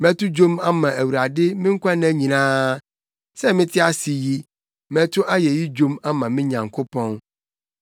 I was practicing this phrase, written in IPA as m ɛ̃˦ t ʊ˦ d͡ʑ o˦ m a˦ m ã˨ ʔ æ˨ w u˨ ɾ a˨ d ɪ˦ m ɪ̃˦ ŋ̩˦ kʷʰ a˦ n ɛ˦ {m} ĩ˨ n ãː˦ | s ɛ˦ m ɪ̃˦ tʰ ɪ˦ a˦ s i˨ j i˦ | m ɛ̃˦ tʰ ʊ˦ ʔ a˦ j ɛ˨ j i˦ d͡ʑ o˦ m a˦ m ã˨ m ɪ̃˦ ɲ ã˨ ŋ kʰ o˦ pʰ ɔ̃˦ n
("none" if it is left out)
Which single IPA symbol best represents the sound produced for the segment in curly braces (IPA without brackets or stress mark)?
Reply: ɲ